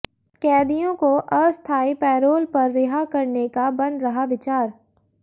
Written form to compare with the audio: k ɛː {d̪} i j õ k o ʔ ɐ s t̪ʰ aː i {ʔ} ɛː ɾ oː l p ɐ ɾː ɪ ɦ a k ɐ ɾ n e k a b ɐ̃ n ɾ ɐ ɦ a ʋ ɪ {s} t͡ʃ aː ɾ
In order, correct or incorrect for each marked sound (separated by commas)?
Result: correct, incorrect, incorrect